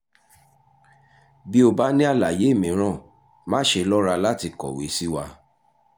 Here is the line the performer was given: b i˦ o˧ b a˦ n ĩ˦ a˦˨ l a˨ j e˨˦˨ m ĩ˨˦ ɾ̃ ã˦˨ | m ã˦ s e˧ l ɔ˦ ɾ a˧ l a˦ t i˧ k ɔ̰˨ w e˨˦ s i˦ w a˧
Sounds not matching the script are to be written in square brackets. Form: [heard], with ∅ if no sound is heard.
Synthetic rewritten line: b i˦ o˧ b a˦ n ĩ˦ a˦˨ l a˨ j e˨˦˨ m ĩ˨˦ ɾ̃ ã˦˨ | m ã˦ [ʃ] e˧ l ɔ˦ ɾ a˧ l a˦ t i˧ k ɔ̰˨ w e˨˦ s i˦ w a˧